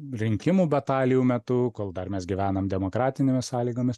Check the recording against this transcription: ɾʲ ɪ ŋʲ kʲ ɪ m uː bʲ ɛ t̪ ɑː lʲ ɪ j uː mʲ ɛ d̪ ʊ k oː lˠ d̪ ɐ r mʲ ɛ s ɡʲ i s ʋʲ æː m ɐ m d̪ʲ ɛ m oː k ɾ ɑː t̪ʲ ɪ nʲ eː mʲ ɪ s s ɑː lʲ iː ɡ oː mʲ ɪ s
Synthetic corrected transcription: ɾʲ ɪ ŋʲ kʲ ɪ m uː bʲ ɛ t̪ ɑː lʲ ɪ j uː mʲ ɛ t̪ ʊ k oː lˠ d̪ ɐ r mʲ ɛ s ɡʲ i ʋʲ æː n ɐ m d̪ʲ ɛ m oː k ɾ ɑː t̪ʲ ɪ nʲ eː mʲ ɪ s s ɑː lʲ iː ɡ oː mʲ ɪ s